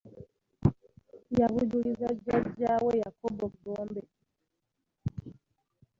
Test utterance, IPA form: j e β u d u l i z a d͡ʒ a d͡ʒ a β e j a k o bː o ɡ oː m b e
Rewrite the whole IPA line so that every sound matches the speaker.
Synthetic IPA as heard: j a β u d u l i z a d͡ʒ a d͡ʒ a w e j a k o b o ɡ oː m b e